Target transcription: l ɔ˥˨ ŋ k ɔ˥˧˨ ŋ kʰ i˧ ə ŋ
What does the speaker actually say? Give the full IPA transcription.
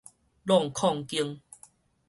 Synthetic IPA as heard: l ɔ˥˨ ŋ kʰ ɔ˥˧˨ ŋ k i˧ ə ŋ